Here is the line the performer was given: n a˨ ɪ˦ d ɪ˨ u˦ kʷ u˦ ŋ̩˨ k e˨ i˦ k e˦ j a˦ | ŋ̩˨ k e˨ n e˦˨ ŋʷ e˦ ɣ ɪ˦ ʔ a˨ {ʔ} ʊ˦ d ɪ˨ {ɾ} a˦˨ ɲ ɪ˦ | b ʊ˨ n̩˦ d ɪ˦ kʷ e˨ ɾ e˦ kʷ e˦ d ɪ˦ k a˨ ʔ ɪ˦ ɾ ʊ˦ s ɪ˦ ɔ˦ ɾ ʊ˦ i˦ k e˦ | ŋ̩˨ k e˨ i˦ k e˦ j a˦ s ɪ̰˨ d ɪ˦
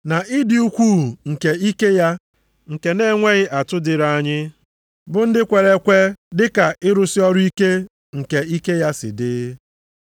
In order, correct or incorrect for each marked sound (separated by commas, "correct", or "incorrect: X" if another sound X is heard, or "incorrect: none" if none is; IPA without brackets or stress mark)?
incorrect: t, correct